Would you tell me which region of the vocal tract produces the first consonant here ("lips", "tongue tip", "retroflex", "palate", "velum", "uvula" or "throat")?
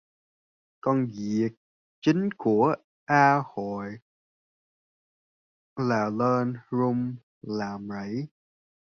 velum